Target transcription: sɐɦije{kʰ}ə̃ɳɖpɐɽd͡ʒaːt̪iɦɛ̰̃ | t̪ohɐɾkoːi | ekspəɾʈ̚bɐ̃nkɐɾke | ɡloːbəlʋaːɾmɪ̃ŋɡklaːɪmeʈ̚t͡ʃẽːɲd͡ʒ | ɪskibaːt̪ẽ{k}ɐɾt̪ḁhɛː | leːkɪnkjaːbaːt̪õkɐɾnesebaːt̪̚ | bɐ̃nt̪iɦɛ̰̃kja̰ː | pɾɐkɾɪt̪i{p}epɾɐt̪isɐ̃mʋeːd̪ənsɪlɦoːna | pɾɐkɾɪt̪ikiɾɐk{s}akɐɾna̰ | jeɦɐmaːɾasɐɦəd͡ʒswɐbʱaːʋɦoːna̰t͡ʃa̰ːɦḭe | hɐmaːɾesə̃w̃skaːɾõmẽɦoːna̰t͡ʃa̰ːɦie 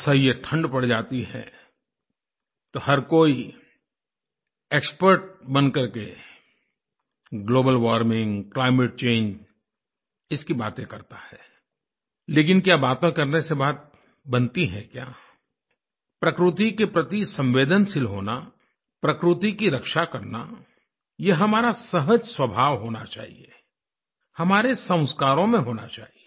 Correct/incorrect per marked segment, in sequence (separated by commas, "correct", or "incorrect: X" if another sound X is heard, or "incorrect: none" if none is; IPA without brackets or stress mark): incorrect: ʈʰ, correct, incorrect: k, incorrect: ʃ